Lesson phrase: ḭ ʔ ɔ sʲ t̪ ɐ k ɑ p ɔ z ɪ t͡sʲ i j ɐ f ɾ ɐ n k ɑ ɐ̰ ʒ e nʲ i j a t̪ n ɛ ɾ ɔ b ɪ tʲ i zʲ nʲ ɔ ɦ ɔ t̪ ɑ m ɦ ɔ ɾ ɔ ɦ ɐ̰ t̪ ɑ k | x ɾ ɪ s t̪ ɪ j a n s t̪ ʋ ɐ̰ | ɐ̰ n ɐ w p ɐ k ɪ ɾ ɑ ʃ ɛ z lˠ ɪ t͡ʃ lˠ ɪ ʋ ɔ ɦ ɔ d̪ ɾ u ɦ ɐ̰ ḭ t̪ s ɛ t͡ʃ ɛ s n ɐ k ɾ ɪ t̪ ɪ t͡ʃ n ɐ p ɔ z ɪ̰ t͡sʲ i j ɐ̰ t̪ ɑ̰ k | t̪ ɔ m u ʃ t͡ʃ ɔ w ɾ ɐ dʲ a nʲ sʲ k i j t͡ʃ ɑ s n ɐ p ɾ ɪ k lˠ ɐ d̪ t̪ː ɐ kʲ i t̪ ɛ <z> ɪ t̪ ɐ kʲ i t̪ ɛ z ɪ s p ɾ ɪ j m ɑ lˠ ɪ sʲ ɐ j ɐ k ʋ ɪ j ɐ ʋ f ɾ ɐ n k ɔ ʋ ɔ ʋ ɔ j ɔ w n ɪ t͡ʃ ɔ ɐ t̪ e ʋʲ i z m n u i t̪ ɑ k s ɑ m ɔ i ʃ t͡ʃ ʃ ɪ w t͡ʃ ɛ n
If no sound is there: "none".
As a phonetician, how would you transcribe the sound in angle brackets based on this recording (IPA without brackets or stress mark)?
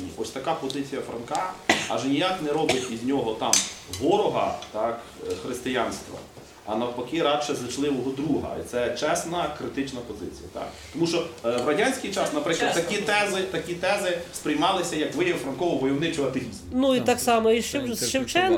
z